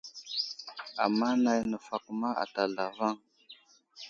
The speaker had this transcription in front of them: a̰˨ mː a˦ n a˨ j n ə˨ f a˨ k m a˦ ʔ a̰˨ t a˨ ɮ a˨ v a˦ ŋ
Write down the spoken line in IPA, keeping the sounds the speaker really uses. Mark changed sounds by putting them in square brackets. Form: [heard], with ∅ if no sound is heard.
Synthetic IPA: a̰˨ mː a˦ n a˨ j n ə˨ f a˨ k m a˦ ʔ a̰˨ t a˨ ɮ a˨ v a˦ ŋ